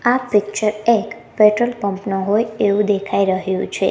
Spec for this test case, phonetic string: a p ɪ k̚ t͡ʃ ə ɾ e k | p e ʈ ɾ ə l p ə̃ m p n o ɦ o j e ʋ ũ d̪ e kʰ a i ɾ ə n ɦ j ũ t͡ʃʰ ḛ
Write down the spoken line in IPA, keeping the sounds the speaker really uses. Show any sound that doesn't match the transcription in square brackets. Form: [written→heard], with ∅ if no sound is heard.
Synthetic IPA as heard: a p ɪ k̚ t͡ʃ ə ɾ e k | p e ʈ ɾ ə l p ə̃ m p n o ɦ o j e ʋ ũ d̪ e kʰ a i ɾ ə [n→∅] ɦ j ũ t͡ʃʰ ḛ